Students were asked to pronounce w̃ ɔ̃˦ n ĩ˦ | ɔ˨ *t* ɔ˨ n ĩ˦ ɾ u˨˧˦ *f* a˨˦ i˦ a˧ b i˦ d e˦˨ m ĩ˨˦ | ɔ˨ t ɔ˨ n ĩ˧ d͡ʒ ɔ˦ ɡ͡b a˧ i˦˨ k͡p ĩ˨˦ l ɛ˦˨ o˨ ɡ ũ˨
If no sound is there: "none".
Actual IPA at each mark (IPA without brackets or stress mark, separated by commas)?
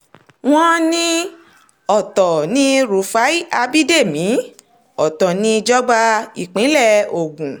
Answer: t, f